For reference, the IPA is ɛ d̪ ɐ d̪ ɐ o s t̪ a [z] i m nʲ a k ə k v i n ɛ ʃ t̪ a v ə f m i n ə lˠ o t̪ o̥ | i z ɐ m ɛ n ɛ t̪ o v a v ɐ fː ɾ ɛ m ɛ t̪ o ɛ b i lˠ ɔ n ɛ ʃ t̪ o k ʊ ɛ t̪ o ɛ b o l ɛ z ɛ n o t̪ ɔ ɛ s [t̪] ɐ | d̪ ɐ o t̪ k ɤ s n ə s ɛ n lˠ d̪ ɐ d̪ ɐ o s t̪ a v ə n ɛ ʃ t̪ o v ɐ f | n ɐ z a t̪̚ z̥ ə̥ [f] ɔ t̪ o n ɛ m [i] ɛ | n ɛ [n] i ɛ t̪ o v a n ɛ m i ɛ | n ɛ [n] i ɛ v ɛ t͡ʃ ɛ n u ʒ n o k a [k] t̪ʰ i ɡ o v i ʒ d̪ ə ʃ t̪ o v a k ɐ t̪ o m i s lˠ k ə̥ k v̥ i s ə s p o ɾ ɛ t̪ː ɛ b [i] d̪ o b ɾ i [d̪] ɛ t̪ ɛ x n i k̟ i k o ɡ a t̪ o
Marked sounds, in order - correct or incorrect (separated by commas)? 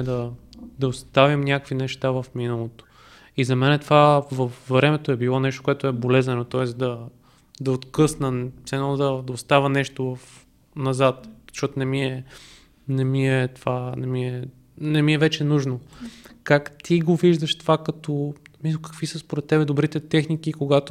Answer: incorrect, incorrect, incorrect, correct, incorrect, incorrect, correct, incorrect, incorrect